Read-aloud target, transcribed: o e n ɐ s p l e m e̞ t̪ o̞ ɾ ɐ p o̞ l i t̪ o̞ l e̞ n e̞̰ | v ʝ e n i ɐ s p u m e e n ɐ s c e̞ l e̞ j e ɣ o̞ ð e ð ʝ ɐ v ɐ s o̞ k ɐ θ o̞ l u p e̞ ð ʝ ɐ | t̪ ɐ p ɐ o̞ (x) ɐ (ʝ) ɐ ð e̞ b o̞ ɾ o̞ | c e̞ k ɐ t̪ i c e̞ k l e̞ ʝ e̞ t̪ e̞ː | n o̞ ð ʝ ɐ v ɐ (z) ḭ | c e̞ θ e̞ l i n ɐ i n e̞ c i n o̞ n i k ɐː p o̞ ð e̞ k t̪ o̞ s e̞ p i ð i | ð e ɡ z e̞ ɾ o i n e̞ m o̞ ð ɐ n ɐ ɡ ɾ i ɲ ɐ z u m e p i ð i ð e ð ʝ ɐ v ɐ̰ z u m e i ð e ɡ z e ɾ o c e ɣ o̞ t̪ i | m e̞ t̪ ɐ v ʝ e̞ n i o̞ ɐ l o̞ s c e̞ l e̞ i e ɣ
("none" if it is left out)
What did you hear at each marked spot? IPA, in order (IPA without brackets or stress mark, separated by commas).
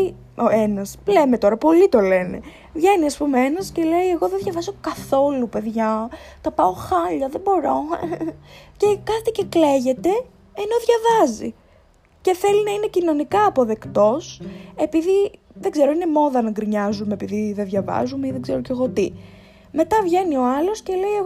x, ʎ, z